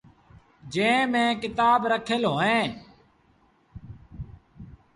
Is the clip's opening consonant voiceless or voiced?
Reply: voiced